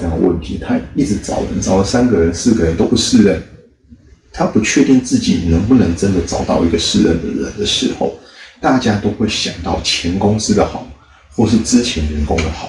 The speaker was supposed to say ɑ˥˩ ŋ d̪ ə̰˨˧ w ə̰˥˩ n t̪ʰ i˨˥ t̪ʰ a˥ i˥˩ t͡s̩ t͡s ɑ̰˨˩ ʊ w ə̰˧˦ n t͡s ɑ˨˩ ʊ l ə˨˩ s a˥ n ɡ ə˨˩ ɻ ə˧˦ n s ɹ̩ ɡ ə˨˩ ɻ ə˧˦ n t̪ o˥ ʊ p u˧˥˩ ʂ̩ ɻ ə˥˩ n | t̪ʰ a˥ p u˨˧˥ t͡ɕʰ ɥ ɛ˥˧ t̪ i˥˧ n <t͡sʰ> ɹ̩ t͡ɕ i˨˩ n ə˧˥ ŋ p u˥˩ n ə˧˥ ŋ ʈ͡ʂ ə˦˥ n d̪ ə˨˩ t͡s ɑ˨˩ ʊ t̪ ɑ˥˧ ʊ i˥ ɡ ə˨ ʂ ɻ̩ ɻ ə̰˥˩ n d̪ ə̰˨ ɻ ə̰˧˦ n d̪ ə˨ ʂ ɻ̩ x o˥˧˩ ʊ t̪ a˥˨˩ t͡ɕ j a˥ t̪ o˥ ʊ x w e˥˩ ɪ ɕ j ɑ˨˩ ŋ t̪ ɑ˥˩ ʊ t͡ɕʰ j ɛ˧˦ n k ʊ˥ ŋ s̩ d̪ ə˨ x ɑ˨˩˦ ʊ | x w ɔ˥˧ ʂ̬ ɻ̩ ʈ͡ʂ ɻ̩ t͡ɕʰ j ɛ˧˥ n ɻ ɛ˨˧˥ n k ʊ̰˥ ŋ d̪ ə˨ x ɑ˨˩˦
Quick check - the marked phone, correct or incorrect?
incorrect